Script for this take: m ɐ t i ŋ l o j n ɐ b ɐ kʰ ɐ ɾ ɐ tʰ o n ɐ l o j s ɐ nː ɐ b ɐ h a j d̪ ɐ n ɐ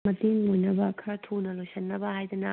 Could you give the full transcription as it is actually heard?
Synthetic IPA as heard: m ɐ t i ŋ l o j n ɐ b ɐ kʰ ɐ ɾ ɐ tʰ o n ɐ l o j s ɐ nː ɐ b ɐ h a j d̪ ɐ n ɐ